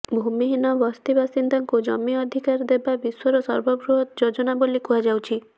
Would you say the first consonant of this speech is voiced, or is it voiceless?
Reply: voiced